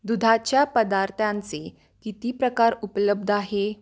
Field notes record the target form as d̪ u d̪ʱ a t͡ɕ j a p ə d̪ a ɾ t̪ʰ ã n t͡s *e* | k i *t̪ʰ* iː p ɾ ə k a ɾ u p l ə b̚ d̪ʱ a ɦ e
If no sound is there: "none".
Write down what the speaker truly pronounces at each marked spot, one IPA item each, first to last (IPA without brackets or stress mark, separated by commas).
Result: e, t̪